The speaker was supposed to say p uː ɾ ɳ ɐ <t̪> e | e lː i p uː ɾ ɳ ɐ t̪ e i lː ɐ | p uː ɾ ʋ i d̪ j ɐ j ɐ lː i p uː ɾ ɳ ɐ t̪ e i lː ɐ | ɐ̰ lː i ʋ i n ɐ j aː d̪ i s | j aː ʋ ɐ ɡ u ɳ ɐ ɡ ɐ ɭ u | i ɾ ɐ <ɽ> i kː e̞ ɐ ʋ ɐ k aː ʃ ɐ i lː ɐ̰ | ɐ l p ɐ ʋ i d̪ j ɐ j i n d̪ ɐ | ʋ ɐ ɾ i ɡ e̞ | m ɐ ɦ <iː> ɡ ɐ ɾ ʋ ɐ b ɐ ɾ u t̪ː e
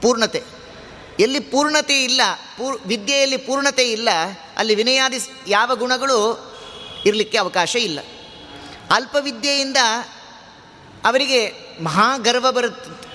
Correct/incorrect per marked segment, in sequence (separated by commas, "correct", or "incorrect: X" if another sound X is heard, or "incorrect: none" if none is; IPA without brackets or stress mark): correct, incorrect: l, incorrect: aː